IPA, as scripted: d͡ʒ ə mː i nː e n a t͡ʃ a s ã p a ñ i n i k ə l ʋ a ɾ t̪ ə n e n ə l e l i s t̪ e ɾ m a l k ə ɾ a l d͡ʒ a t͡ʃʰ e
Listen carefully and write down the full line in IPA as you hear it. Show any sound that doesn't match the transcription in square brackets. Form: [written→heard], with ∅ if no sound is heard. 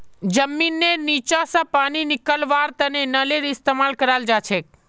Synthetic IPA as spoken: d͡ʒ ə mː i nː e n [a→i] t͡ʃ a s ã p a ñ i n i k ə l ʋ a ɾ t̪ ə n e n ə l e [l→ɾ] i s t̪ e [ɾ→∅] m a l k ə ɾ a l d͡ʒ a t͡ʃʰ e